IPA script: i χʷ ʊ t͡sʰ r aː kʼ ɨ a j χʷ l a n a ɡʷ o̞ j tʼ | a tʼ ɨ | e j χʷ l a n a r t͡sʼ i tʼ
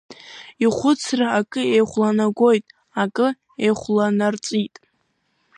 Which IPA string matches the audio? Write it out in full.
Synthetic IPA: i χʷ ʊ t͡sʰ r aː kʼ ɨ e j χʷ l a n a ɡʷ o̞ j tʼ | a kʼ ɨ | e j χʷ l a n a r t͡sʼ i tʼ